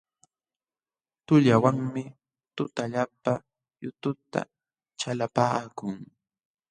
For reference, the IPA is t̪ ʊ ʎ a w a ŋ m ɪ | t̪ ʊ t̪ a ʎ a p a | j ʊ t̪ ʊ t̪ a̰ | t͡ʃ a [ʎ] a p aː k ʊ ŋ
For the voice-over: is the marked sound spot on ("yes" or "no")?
no